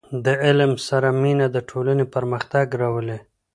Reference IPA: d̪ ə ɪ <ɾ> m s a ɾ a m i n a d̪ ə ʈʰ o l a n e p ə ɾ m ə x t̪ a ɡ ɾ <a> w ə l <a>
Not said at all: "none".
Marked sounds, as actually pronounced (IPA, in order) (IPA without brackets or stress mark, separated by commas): l, a, e